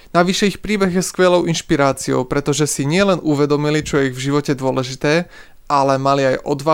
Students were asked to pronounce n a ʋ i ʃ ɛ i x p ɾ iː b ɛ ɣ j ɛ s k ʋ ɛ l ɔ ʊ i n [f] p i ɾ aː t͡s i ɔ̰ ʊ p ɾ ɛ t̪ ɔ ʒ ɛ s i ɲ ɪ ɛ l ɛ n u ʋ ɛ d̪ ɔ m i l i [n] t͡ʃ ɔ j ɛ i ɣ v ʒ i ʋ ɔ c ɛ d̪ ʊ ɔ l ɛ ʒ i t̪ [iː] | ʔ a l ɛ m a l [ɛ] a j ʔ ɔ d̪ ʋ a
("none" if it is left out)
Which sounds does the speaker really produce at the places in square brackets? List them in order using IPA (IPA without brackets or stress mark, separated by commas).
ʃ, none, ɛː, i